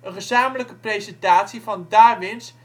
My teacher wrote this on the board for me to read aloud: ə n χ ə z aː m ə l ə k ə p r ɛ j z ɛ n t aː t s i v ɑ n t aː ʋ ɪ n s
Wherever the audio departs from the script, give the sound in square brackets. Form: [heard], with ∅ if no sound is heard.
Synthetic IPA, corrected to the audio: ə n χ ə z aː m ə l ə k ə p r [e] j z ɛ n t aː t s i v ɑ n [d] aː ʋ ɪ n s